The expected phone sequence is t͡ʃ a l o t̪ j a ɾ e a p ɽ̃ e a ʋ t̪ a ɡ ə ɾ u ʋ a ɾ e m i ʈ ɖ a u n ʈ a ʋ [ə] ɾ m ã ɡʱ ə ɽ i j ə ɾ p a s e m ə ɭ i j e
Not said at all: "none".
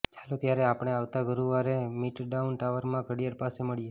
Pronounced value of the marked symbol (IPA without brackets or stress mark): ə